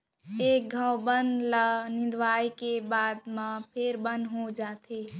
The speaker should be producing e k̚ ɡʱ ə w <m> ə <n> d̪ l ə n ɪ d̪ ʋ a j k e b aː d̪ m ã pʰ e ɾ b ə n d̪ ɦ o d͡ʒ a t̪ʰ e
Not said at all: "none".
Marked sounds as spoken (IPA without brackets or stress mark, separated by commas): b, n